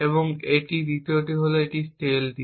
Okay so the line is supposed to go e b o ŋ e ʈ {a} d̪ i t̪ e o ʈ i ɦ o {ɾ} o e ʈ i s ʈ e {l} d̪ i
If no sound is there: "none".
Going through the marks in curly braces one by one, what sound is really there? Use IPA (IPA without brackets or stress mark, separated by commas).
i, l, l